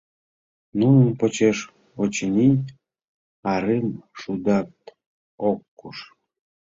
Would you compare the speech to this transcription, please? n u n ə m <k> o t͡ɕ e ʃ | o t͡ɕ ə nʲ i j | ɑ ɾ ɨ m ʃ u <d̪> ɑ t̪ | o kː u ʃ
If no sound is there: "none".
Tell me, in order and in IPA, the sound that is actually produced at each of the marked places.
p, d̪

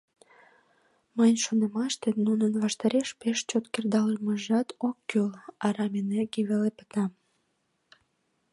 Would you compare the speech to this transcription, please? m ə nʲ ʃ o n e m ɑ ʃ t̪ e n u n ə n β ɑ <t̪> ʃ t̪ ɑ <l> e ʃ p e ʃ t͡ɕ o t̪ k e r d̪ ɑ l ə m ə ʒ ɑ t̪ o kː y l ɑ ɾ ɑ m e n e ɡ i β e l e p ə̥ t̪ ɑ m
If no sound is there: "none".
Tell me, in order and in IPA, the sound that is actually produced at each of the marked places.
none, ɾ

